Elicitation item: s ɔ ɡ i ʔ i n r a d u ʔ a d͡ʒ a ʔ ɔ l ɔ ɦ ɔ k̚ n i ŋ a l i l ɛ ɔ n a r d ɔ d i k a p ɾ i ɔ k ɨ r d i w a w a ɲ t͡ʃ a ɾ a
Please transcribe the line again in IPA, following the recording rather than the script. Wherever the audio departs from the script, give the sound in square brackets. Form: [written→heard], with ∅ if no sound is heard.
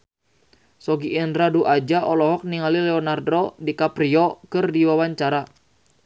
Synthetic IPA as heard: s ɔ ɡ i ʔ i n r a d u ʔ a d͡ʒ a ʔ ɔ l ɔ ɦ ɔ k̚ n i ŋ a l i l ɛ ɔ n a r d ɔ d i k a p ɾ i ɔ k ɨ r d i w a w a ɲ t͡ʃ a ɾ a

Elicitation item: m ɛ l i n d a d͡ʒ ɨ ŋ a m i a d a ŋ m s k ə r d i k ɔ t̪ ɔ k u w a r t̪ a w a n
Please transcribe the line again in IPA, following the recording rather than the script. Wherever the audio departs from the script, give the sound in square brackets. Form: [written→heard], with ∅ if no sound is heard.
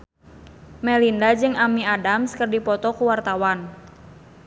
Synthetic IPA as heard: m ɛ l i n d a d͡ʒ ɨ ŋ a m i a d a [ŋ→∅] m s k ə r d i [k→p] ɔ t̪ ɔ k u w a r t̪ a w a n

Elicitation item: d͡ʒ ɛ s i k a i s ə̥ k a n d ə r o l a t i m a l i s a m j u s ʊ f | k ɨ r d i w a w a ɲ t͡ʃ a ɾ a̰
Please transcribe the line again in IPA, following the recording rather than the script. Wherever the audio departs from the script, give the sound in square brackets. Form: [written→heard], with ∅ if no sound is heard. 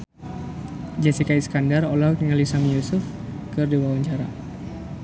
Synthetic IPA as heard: d͡ʒ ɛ s i k a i s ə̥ k a n d [ə→a] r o l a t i [m→ŋ] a l i s a m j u s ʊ f | k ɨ r d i w a w a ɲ t͡ʃ a ɾ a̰

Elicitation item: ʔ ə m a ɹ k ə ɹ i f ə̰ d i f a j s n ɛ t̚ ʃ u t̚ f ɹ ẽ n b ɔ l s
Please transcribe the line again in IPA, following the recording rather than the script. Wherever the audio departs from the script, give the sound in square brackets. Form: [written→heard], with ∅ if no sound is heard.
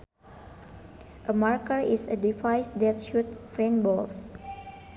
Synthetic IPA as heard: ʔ ə m a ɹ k ə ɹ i [f→s] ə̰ d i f a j s [n→d] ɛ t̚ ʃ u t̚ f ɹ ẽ n b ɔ l s

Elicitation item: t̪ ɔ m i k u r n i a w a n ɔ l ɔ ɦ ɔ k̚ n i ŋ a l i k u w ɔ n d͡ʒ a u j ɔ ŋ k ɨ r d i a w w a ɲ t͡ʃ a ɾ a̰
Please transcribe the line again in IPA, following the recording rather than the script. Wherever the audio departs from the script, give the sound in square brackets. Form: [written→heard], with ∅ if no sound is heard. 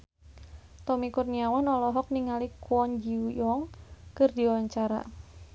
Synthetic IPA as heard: t̪ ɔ m i k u r n i a w a n ɔ l ɔ ɦ ɔ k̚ n i ŋ a l i k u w ɔ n d͡ʒ [a→i] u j ɔ ŋ k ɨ r d i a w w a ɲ t͡ʃ a ɾ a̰

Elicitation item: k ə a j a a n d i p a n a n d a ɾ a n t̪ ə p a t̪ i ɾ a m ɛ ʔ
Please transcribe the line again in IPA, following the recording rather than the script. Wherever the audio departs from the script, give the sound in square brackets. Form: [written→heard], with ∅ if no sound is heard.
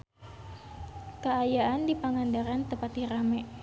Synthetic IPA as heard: k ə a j a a n d i p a [n→ŋ] a n d a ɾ a n t̪ ə p a t̪ i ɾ a m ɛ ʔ

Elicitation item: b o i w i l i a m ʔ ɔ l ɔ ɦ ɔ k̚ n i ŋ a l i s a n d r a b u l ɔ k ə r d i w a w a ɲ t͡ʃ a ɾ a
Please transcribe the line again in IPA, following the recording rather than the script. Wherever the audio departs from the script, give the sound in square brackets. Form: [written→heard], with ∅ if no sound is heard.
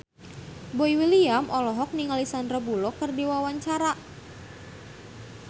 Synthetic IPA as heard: b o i w i l i a m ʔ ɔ l ɔ ɦ ɔ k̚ n i ŋ a l i s a n d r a b u l ɔ k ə r d i w a w a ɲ t͡ʃ a ɾ a

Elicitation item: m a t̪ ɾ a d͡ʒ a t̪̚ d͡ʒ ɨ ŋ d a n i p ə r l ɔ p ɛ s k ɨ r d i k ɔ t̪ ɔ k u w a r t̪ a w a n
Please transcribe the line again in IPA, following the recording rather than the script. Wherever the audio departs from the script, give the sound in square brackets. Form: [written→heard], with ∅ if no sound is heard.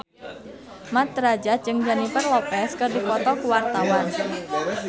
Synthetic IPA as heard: m a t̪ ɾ a d͡ʒ a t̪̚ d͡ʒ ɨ ŋ [d→d͡ʒ] a n i p ə r l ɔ p ɛ s k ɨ r d i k ɔ t̪ ɔ k u w a r t̪ a w a n

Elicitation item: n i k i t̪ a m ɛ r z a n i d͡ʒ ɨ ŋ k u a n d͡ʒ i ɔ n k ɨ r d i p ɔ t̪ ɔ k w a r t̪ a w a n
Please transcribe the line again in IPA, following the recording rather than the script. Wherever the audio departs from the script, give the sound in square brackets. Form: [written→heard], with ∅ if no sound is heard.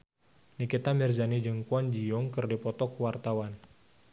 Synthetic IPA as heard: n i k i t̪ a m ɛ r z a n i d͡ʒ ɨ ŋ k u a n d͡ʒ i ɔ [n→ŋ] k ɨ r d i p ɔ t̪ ɔ k w a r t̪ a w a n

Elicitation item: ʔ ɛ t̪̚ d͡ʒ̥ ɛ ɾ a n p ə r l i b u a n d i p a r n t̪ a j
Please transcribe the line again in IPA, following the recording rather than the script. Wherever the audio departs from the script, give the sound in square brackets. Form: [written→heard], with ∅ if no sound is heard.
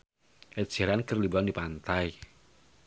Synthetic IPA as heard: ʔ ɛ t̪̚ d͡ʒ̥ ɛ ɾ a n [p→k] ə r l i b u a n d i p a [r→∅] n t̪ a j

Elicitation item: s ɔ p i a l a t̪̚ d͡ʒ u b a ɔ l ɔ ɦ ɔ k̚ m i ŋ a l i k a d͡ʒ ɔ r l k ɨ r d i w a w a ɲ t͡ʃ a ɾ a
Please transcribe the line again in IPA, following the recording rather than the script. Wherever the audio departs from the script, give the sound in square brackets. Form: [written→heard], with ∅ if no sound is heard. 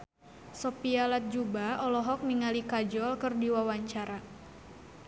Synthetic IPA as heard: s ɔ p i a l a t̪̚ d͡ʒ u b a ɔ l ɔ ɦ ɔ k̚ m i ŋ a l i k a d͡ʒ ɔ [r→∅] l k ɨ r d i w a w a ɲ t͡ʃ a ɾ a

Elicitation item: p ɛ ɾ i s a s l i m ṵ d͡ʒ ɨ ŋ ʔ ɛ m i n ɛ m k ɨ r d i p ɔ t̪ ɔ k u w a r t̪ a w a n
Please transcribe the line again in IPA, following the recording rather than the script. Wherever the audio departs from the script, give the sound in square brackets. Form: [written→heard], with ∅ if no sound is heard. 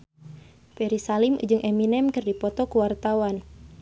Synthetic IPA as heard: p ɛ ɾ i s a [s→∅] l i m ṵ d͡ʒ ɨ ŋ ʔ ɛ m i n ɛ m k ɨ r d i p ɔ t̪ ɔ k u w a r t̪ a w a n

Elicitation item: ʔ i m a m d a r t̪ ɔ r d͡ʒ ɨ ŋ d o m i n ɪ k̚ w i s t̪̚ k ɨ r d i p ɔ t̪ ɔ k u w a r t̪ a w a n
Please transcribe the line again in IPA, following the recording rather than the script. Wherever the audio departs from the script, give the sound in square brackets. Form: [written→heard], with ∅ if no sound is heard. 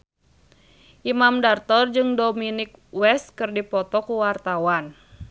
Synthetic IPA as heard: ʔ i m a m d a r t̪ ɔ r d͡ʒ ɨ ŋ d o m i n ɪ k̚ w [i→ɛ] s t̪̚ k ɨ r d i p ɔ t̪ ɔ k u w a r t̪ a w a n

